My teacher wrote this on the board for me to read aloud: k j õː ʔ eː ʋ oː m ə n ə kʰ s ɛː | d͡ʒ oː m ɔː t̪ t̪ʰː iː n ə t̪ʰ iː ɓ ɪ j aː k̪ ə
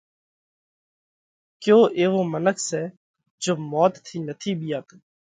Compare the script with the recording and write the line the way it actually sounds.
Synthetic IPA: k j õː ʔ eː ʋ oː m ə n ə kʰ s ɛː | d͡ʒ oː m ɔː t̪ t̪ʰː iː n ə t̪ʰ iː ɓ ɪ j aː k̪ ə